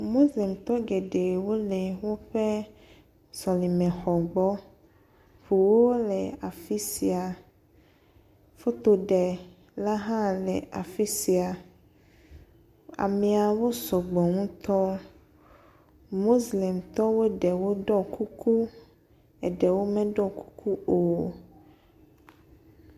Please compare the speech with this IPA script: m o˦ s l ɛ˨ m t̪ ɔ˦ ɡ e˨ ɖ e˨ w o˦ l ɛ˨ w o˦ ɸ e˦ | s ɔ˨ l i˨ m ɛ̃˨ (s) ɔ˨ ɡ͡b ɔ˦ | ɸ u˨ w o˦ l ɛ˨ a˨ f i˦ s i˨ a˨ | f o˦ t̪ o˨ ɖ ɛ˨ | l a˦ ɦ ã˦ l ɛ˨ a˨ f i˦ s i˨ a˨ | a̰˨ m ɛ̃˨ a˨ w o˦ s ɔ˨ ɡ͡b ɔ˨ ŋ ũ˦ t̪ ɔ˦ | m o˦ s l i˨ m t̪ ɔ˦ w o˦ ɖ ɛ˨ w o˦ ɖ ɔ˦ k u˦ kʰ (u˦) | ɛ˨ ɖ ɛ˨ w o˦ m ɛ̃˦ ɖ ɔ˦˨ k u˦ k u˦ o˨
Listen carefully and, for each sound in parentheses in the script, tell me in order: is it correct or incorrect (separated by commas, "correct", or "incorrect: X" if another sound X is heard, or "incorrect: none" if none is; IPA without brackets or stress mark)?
incorrect: x, correct